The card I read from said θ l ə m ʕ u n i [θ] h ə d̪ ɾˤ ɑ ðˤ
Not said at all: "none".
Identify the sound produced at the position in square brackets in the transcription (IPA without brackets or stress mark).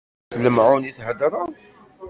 θ